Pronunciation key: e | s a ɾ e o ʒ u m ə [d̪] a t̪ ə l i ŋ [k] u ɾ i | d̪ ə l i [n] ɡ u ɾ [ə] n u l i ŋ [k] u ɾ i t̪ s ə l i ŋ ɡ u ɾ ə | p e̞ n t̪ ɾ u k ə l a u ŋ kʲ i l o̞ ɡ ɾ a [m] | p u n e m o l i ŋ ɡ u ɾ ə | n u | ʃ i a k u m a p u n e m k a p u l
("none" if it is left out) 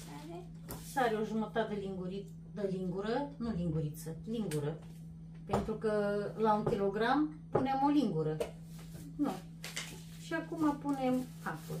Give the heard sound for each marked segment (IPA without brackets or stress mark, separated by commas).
t̪, ɡ, ŋ, ə, ɡ, m